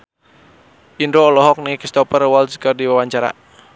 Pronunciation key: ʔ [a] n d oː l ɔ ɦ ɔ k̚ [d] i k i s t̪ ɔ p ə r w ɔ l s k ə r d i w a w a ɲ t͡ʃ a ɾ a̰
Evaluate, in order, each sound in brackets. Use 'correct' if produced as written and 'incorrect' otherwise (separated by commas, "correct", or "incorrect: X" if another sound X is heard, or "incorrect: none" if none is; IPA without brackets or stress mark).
incorrect: i, incorrect: n